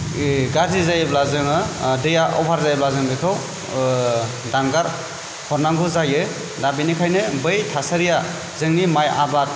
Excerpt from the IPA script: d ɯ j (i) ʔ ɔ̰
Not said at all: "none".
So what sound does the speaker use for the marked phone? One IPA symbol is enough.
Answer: a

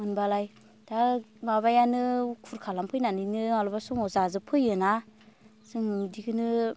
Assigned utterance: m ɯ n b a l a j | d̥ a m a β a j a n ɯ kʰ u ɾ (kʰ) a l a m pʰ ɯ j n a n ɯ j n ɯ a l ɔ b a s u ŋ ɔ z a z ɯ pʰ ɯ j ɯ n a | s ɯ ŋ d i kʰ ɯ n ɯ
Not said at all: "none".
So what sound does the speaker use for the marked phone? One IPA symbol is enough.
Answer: kʰ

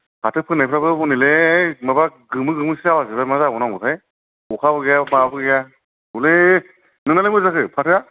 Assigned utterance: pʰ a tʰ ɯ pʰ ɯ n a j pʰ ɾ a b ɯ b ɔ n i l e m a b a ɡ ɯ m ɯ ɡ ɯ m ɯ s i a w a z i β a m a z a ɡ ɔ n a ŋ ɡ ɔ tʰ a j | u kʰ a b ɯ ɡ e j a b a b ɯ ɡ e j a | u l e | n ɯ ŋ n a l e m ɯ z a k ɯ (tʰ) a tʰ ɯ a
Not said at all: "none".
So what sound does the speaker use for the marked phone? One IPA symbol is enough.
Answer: pʰ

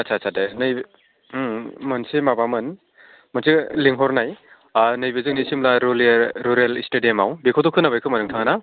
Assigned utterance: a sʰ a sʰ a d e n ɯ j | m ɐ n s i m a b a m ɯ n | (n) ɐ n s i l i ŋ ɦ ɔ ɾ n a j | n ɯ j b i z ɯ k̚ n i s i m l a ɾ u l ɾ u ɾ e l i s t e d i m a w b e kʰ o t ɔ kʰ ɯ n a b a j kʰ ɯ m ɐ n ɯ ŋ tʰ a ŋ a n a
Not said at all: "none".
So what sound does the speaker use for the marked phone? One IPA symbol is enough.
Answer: m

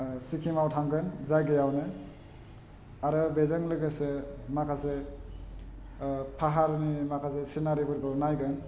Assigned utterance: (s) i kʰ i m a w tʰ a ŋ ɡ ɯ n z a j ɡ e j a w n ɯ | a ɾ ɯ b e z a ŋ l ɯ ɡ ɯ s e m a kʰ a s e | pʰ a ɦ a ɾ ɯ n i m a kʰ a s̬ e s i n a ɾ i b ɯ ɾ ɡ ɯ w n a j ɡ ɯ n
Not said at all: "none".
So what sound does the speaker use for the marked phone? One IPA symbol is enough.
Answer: s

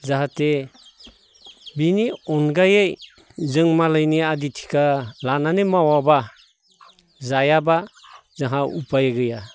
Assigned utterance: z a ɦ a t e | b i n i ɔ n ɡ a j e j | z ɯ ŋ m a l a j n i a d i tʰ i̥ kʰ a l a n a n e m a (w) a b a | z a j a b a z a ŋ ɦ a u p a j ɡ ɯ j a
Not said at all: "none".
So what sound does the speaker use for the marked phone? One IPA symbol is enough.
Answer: w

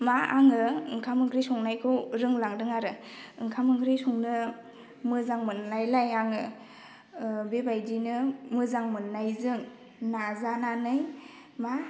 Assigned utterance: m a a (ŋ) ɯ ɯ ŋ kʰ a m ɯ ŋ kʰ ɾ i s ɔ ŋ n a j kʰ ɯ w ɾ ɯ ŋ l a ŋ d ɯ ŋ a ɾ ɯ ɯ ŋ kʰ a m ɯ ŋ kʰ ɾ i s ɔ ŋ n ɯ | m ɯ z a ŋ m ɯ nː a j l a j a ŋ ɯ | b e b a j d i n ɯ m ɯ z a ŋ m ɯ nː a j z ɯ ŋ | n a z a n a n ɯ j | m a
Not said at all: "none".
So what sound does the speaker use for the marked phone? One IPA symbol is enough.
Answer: ŋ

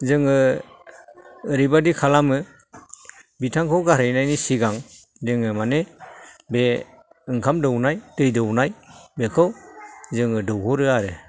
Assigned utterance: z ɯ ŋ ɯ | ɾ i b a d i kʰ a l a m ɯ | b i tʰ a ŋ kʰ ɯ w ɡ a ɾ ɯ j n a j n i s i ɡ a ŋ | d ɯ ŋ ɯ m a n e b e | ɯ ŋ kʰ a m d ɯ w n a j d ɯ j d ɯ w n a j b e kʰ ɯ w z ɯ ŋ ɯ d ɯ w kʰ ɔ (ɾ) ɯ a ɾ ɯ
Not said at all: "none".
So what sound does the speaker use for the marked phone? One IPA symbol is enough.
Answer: ɾ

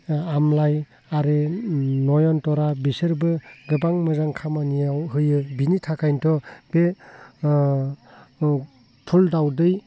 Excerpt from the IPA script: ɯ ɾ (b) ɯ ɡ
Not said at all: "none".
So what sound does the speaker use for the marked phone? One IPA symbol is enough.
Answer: b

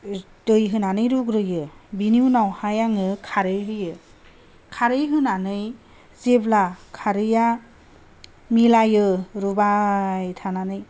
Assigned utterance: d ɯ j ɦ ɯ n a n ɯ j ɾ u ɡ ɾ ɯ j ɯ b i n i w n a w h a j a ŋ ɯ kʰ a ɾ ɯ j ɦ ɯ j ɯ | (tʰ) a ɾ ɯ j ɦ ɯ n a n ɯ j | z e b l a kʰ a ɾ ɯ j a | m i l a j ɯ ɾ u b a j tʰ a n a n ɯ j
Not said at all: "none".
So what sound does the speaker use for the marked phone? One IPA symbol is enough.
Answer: kʰ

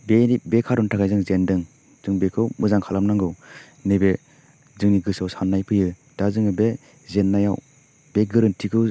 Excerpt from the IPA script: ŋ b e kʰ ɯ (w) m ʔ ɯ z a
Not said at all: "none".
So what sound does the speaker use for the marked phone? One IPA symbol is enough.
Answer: w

